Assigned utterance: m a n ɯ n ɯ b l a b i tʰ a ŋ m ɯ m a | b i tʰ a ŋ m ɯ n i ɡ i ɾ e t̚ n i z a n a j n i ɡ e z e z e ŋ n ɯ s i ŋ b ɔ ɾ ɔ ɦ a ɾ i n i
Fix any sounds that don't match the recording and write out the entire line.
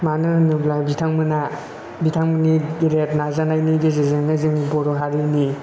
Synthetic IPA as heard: m a n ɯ n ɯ b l a b i tʰ a ŋ m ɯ n a | b i tʰ a ŋ m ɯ n i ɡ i ɾ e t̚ n a z a n a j n i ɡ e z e z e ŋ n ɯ z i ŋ b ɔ ɾ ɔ ɦ a ɾ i n i